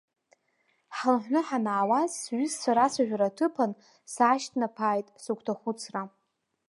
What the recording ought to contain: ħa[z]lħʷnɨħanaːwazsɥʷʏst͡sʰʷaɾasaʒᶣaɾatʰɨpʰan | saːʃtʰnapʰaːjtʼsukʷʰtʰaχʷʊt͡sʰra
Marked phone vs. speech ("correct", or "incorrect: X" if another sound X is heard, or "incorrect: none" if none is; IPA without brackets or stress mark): incorrect: none